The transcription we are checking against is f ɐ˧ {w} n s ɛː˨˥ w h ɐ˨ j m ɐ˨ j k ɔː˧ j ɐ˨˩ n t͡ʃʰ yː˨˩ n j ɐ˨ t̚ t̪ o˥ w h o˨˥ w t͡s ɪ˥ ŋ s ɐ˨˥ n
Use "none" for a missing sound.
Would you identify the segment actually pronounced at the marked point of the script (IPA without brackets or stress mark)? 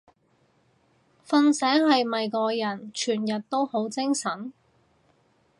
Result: none